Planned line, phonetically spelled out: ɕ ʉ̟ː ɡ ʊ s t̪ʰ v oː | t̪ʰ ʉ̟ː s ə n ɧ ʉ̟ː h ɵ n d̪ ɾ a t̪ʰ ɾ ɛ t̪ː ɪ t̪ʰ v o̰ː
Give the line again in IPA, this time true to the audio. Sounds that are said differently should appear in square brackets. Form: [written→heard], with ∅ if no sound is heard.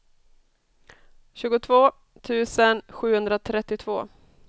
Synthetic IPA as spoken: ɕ ʉ̟ː ɡ ʊ [s→∅] t̪ʰ v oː | t̪ʰ ʉ̟ː s ə n ɧ ʉ̟ː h ɵ n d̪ ɾ a t̪ʰ ɾ ɛ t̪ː ɪ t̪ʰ v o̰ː